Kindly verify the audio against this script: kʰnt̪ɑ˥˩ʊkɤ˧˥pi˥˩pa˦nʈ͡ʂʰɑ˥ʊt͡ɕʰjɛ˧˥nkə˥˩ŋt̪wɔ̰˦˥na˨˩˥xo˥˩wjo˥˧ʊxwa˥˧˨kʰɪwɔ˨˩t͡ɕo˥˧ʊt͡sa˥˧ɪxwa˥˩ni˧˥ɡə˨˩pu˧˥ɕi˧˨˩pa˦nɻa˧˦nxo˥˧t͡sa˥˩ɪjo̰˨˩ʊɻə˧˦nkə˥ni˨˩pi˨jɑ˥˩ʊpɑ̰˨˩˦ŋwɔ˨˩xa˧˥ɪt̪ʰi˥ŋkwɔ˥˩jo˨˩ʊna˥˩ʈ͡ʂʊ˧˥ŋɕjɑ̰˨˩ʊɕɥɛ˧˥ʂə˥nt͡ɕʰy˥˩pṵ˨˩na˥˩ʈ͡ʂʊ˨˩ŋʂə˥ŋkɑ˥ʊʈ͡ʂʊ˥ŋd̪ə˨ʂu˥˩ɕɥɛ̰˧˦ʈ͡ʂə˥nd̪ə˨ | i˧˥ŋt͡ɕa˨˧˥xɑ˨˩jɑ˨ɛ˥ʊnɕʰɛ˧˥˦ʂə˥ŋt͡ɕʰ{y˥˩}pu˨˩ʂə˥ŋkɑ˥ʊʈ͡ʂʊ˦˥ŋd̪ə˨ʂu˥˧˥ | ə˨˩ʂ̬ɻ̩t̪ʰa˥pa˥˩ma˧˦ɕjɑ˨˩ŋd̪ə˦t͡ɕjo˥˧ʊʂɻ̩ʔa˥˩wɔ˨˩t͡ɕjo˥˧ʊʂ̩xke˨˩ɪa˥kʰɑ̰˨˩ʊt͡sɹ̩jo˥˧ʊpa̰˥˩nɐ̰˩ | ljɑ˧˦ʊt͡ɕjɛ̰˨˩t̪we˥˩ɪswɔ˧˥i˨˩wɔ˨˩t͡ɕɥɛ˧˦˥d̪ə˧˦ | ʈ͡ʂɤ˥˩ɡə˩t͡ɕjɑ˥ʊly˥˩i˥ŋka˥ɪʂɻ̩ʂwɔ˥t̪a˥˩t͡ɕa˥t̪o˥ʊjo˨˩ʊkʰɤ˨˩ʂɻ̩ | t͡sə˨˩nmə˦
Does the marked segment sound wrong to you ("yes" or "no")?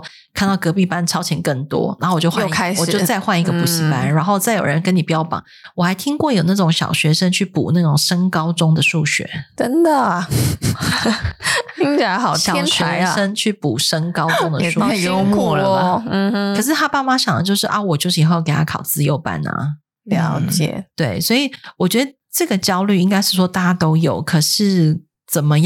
no